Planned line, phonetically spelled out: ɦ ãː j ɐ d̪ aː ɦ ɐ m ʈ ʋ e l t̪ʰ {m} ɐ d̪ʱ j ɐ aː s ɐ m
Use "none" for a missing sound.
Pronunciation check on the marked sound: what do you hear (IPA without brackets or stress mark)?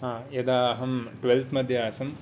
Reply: m